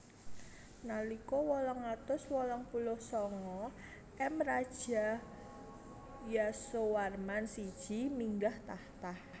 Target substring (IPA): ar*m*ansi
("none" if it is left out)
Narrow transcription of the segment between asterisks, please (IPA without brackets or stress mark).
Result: m